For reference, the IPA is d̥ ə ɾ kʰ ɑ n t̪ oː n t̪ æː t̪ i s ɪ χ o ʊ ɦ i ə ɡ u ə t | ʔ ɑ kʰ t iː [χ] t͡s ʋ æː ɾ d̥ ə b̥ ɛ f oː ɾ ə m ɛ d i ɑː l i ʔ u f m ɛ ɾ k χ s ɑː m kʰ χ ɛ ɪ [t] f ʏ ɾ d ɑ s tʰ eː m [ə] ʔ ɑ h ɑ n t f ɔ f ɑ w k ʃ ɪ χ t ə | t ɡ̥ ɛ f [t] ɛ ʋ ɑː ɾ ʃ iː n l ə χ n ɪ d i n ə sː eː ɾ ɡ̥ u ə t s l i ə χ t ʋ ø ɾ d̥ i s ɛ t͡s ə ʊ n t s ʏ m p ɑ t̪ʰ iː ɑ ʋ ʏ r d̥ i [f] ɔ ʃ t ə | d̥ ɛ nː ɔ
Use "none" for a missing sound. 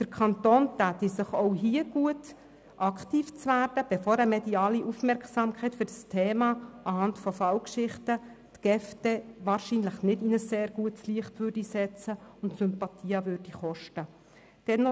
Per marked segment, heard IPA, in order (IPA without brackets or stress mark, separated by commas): f, t, ɑ, t, χ